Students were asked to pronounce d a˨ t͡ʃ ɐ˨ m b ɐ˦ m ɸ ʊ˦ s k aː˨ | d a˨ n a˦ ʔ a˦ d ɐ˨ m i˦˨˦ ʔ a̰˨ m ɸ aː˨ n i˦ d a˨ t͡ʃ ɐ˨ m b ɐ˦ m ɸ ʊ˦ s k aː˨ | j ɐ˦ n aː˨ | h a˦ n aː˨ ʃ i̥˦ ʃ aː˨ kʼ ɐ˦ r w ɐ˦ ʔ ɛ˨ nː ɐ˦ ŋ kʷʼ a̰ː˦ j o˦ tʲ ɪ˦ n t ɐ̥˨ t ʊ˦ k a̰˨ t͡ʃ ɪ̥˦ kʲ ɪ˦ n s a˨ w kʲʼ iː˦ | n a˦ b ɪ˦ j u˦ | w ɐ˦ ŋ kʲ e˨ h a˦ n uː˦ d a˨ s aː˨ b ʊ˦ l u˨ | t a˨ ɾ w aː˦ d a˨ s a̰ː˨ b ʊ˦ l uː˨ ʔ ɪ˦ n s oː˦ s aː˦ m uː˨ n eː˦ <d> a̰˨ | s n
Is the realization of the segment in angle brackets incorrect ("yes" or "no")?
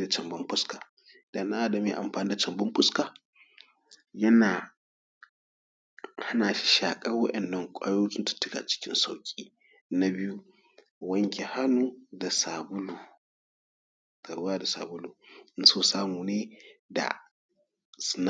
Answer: no